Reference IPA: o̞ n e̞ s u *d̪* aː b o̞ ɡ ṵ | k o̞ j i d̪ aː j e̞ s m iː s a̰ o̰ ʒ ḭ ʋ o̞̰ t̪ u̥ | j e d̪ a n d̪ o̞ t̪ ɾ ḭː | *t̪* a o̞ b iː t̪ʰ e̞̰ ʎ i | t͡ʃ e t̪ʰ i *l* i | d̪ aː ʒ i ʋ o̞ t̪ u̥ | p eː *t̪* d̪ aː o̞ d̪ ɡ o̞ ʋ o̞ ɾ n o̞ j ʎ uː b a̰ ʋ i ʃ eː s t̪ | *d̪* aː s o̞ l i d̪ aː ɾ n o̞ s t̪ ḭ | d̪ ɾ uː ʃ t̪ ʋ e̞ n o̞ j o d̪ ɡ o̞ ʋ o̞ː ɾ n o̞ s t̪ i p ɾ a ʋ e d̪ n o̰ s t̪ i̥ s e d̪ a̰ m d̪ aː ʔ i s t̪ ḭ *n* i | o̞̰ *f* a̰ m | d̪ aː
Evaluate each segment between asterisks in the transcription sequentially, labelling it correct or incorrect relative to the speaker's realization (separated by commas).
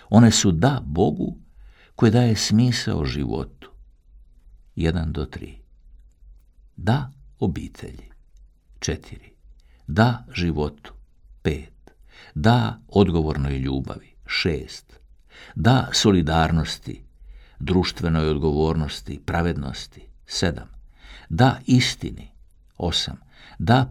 correct, incorrect, incorrect, correct, correct, correct, incorrect